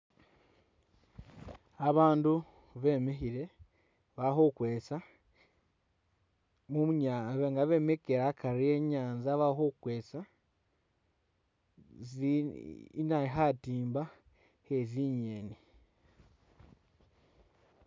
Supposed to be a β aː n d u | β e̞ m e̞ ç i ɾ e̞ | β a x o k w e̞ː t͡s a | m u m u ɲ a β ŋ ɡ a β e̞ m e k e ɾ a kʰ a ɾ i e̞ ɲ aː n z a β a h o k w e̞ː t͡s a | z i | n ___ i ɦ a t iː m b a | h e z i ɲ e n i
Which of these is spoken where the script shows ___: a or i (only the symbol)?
a